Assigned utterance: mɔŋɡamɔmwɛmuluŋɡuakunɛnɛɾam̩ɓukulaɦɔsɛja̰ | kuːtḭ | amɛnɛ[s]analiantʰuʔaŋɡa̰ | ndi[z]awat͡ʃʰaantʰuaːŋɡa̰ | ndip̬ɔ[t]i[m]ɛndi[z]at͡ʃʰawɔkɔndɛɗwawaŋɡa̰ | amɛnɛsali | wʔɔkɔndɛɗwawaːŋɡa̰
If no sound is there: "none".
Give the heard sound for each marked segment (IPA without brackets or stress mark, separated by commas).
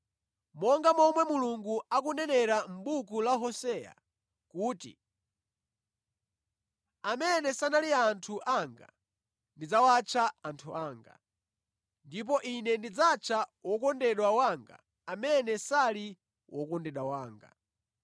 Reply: s, d͡z, ʔ, n, d͡z